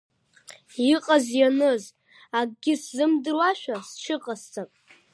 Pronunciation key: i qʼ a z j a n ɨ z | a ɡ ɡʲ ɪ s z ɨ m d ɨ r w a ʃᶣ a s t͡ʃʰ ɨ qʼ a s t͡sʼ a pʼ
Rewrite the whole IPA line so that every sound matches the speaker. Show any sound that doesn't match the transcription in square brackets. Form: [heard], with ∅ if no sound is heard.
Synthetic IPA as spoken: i qʼ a z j a n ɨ z | a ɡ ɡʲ ɪ s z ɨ m d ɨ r w a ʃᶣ a s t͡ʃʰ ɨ qʼ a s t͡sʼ a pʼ